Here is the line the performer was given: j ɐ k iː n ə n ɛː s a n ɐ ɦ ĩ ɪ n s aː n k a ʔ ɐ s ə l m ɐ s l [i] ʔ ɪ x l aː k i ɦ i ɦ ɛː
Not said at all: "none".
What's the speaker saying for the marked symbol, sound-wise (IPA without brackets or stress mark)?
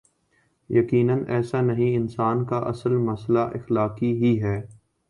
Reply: a